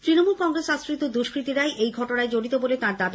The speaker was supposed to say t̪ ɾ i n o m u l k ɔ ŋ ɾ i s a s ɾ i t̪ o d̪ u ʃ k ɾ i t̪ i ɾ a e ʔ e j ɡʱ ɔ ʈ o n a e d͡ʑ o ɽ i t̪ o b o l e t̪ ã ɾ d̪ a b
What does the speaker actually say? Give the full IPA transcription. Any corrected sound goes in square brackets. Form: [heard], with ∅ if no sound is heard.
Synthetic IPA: t̪ ɾ i n o m u l k ɔ ŋ ɾ [e] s a s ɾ i t̪ o d̪ u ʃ k ɾ i t̪ i ɾ a e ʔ e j ɡʱ ɔ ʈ o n a e d͡ʑ o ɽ i t̪ o b o l e t̪ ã ɾ d̪ a b